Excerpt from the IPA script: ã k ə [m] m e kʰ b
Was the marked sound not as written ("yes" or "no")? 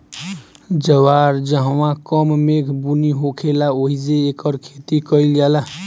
no